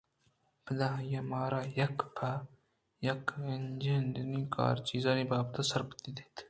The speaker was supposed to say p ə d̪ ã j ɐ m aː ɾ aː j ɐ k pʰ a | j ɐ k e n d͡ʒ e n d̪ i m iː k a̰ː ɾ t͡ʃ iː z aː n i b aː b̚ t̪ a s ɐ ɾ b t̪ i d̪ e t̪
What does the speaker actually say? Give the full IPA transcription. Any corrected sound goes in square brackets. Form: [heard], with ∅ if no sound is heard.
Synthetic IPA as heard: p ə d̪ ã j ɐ m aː ɾ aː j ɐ k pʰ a | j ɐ k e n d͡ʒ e n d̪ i [n] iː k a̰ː ɾ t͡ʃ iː z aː n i b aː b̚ t̪ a s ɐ ɾ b t̪ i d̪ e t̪